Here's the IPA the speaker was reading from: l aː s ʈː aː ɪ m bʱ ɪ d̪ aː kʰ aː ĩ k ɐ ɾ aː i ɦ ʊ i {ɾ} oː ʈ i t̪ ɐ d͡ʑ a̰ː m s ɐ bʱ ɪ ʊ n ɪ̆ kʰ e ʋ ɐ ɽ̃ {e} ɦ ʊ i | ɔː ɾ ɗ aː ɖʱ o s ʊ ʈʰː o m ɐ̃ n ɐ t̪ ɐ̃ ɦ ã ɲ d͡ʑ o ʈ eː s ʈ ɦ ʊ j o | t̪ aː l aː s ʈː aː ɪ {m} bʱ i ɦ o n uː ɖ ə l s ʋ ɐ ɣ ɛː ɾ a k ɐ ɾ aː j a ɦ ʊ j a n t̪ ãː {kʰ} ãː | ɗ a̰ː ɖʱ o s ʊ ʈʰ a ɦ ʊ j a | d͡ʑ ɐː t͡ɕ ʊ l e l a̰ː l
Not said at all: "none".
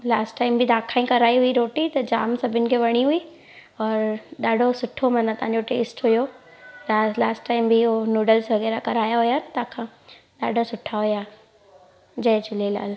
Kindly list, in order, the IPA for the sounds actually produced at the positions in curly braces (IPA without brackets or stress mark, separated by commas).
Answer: ɾ, i, m, kʰ